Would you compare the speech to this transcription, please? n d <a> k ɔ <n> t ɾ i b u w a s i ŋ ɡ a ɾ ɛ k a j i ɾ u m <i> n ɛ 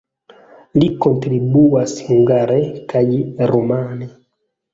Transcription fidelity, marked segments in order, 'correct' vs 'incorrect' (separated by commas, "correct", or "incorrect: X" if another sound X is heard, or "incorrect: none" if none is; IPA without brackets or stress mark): incorrect: i, correct, incorrect: a